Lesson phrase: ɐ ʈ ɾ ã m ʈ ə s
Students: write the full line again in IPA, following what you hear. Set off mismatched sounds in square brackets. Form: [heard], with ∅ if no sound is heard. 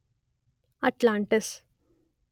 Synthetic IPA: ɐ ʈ [l] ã [ɳ] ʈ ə s